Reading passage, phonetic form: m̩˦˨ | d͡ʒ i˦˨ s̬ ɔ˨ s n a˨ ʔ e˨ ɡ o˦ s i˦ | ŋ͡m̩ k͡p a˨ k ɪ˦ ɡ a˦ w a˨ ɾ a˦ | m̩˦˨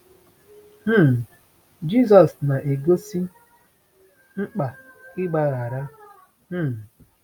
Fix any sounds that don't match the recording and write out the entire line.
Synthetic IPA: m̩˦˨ | d͡ʒ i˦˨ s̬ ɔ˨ s n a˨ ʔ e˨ ɡ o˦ s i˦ | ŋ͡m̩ k͡p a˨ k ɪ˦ ɡ͡b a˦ ɣ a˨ ɾ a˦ | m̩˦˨